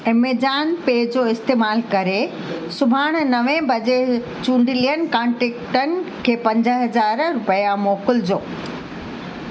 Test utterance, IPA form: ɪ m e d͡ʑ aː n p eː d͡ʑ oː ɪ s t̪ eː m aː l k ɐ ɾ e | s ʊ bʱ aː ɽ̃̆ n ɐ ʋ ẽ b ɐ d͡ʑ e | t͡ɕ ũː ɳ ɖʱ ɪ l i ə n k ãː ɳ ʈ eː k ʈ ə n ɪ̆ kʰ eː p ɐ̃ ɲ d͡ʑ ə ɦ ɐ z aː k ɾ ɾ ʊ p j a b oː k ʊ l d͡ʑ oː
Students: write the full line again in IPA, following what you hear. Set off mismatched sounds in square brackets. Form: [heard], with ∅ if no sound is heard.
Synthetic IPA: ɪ m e d͡ʑ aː n p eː d͡ʑ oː ɪ s t̪ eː m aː l k ɐ ɾ e | s ʊ bʱ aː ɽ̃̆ n ɐ ʋ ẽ b ɐ d͡ʑ e | t͡ɕ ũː ɳ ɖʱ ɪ l i ə n k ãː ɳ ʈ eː k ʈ ə n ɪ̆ kʰ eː p ɐ̃ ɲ d͡ʑ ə ɦ ɐ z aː [∅] ɾ ɾ ʊ p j a [m] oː k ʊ l d͡ʑ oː